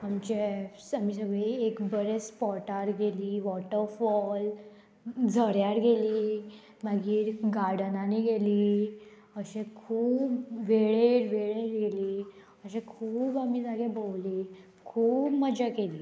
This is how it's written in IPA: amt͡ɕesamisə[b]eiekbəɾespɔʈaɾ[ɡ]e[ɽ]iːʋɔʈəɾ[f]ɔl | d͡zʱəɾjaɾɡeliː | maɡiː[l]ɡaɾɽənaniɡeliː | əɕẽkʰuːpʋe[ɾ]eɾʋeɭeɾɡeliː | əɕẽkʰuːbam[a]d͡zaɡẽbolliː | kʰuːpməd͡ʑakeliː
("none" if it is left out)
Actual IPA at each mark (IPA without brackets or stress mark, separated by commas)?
ɡ, ɡ, l, f, ɾ, ɭ, i